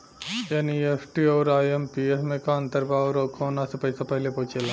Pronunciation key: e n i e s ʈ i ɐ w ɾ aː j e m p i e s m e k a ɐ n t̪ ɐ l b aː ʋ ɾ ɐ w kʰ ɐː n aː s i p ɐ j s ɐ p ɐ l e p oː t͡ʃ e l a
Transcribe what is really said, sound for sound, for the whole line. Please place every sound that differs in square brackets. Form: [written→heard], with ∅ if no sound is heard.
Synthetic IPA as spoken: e n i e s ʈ i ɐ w ɾ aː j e m p i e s m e k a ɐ n t̪ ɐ [l→ɾ] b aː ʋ ɾ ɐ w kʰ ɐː n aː s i p ɐ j s ɐ p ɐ l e p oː t͡ʃ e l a